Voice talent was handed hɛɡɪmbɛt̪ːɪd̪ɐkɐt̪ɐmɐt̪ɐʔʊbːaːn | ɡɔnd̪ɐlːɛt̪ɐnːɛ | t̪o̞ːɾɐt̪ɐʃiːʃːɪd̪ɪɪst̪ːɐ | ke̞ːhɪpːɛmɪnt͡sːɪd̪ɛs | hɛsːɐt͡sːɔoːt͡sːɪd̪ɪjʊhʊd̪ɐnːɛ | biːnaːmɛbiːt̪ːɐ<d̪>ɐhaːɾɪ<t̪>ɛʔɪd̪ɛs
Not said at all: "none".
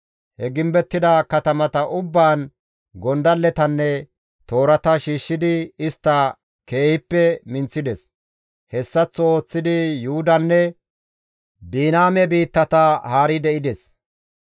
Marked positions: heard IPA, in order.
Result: t̪, d̪

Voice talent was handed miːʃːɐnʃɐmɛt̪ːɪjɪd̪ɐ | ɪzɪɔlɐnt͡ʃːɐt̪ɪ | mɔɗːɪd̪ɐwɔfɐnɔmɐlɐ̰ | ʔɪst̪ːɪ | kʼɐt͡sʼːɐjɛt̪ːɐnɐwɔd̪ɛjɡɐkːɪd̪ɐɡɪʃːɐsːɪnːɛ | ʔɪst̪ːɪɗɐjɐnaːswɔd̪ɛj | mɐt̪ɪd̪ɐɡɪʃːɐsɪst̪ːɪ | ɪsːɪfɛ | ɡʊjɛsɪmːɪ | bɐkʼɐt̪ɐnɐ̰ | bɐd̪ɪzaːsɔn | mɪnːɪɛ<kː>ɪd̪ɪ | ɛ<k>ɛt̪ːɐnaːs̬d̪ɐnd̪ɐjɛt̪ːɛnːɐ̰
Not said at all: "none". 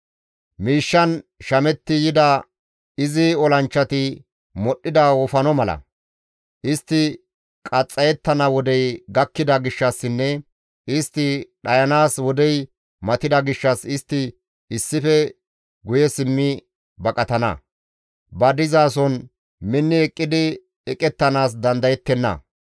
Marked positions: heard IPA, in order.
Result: kʼː, kʼ

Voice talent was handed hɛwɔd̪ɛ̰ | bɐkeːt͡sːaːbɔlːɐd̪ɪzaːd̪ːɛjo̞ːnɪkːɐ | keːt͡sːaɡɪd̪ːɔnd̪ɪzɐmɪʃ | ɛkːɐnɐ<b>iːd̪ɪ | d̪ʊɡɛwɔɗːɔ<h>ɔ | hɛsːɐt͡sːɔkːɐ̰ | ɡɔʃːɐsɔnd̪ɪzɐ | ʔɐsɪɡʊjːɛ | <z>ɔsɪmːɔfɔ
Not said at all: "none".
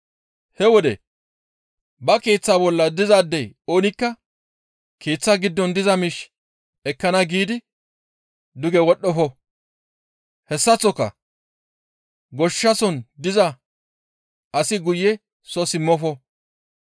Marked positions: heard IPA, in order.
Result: ɡ, f, s

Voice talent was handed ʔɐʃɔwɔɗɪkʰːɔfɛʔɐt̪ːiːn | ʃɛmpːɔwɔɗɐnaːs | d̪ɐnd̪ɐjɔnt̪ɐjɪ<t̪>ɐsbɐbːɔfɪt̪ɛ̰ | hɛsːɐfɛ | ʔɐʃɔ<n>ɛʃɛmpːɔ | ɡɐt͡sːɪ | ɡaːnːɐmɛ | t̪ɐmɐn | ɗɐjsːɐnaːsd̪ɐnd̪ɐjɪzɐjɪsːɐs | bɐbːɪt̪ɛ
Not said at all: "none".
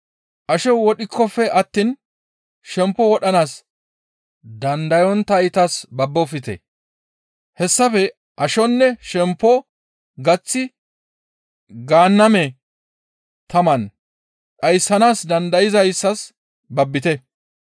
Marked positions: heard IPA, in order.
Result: t̪, nː

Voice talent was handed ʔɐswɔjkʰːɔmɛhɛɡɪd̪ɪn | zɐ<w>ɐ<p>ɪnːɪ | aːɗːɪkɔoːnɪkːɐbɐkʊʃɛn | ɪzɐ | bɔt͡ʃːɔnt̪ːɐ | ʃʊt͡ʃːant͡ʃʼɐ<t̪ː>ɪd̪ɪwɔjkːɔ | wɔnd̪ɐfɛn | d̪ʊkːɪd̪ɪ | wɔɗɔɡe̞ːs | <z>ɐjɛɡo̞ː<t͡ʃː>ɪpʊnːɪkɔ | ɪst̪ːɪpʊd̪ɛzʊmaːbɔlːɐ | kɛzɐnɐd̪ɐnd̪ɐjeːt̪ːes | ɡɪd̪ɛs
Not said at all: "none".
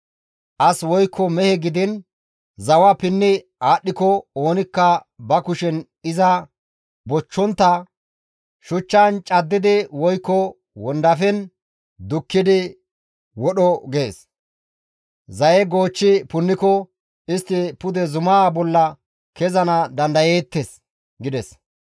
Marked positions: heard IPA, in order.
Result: w, p, d̪ː, z, t͡ʃː

